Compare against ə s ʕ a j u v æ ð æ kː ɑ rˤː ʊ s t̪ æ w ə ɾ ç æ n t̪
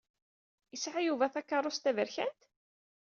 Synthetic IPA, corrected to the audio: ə s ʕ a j u v æ θ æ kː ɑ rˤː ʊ s t̪ æ v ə ɾ ç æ n t̪